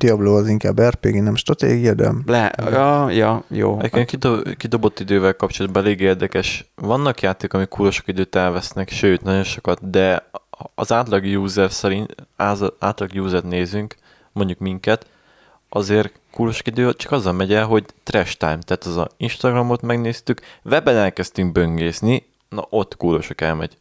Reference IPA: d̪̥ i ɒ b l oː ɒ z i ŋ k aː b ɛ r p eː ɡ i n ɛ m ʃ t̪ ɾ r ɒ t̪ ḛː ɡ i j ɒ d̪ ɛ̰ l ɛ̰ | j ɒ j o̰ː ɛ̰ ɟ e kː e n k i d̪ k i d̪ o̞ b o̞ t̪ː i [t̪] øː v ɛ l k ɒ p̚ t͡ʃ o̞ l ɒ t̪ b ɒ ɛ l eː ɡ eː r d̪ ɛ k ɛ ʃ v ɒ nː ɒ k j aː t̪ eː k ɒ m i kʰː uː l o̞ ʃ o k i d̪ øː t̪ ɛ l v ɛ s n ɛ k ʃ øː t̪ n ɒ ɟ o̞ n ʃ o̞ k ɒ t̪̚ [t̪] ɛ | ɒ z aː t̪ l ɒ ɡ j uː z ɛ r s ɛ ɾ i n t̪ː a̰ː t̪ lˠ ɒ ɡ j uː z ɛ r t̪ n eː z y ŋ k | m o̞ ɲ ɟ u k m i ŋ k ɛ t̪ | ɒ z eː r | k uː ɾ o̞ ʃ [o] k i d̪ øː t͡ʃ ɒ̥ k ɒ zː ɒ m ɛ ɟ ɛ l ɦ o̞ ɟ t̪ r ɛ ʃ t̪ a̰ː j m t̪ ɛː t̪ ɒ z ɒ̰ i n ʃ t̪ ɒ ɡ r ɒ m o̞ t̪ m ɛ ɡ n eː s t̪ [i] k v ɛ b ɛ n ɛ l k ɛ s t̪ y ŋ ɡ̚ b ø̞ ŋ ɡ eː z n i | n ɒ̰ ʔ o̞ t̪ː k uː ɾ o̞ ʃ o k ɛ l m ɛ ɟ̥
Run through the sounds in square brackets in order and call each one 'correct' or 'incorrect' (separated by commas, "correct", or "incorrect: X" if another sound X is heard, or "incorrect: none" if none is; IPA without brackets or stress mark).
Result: incorrect: d̪, incorrect: d̪, correct, incorrect: y